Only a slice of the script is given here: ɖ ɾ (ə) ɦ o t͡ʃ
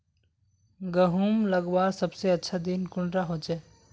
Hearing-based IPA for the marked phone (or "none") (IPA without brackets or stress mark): a